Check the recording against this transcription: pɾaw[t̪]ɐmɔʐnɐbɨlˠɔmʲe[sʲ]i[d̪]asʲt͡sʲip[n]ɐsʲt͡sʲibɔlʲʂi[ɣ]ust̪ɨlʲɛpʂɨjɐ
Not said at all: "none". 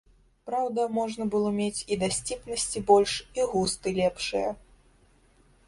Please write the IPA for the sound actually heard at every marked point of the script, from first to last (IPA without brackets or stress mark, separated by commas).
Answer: d̪, t͡sʲ, d̪, n, ɣ